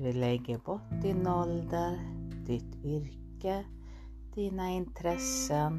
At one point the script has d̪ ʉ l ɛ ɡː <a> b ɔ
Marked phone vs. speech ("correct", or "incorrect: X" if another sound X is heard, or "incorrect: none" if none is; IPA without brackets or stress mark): incorrect: ə